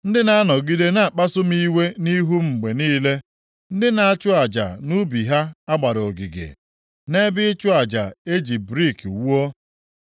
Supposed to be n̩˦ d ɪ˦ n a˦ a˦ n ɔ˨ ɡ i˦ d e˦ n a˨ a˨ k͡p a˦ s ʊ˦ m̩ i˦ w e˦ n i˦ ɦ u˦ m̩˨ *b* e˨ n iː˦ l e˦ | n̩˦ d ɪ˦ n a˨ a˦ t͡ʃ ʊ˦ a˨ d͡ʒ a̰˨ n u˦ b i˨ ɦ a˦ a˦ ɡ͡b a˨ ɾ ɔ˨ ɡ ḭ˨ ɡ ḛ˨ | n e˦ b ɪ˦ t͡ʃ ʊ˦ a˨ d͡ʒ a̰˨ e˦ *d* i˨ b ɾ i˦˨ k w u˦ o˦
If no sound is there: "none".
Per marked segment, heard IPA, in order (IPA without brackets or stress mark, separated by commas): ɡ͡b, d͡ʒ